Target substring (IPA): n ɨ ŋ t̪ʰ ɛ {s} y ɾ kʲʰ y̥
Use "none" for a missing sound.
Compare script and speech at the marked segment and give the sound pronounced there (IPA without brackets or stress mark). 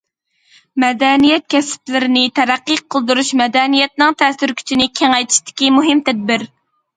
s